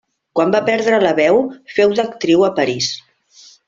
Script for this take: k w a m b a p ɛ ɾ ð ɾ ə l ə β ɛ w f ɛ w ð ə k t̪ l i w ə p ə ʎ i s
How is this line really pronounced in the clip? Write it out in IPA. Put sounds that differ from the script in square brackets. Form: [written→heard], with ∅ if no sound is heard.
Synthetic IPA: k w a m b a p ɛ ɾ ð ɾ ə l ə β ɛ w f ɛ w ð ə k t̪ [l→ɾ] i w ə p ə [ʎ→ɾ] i s